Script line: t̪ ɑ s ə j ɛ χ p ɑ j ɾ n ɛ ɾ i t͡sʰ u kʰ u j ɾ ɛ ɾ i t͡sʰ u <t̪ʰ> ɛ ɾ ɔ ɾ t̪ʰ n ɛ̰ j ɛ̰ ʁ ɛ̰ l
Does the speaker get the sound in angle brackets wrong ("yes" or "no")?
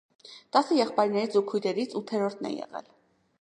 no